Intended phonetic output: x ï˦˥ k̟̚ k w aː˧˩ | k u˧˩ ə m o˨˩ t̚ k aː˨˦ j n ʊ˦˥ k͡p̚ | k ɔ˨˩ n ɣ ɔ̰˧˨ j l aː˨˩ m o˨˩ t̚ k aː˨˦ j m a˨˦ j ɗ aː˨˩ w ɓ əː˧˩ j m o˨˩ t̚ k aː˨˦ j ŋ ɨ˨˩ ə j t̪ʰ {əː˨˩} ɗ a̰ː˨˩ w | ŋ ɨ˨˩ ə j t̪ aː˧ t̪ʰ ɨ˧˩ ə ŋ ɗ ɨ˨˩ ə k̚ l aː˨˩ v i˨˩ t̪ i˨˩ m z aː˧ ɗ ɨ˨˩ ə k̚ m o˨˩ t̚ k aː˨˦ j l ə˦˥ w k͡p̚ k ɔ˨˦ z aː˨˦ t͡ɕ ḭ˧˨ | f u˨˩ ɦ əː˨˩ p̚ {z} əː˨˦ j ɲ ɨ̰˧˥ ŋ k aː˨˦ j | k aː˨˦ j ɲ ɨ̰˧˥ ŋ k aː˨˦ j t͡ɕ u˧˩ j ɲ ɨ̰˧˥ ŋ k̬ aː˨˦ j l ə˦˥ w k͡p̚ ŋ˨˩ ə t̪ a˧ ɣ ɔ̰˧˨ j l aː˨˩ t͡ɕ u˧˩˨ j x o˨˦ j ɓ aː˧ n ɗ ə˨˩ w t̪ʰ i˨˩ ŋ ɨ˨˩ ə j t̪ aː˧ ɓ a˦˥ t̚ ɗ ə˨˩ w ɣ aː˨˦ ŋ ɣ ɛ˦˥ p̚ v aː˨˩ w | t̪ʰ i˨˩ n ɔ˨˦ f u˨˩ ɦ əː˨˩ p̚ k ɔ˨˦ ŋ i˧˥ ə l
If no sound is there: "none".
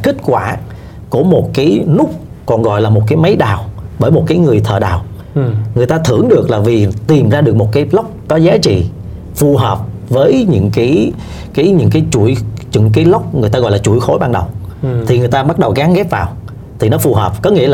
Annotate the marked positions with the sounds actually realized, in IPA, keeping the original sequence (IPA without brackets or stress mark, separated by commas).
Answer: əː˨˩, v